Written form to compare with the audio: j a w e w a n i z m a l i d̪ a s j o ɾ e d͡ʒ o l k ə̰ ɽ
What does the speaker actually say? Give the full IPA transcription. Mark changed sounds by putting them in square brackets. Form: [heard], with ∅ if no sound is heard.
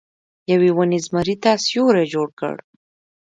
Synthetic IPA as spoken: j a w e w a n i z m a [ɾ] i [t̪] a s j o ɾ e d͡ʒ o [ɽ] k ə̰ ɽ